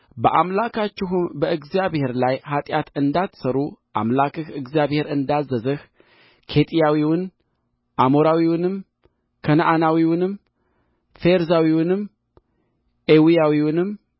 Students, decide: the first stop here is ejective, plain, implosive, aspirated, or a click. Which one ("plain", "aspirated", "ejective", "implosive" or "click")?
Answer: plain